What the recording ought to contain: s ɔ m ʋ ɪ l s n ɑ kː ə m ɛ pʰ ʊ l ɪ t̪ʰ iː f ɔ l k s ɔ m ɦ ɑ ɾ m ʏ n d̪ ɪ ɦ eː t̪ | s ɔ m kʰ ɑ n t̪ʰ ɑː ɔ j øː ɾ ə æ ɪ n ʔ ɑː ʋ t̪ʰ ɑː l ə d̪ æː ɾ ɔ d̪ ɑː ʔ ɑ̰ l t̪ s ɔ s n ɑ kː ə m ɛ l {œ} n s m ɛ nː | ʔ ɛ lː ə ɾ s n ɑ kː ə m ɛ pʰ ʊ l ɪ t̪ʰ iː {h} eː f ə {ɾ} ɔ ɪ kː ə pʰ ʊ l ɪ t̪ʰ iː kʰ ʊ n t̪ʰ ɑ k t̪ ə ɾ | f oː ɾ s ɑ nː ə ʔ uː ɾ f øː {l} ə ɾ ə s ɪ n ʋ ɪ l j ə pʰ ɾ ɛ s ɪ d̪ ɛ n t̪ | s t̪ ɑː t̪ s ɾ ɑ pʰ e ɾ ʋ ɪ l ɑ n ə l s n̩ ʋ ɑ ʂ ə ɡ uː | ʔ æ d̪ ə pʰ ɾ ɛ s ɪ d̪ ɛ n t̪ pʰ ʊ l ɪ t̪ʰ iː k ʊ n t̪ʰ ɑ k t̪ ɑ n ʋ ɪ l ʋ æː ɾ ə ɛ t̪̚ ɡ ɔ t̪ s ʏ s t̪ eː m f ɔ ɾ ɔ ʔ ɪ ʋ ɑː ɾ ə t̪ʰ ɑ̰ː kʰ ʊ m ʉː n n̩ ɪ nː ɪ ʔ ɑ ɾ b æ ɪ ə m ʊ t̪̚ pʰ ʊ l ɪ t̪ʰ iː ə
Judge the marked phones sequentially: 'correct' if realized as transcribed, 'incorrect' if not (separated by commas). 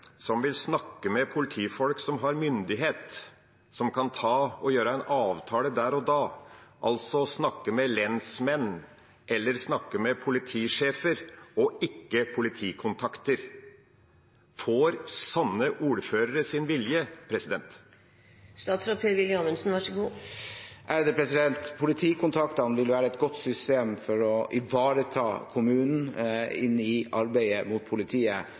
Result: incorrect, incorrect, correct, incorrect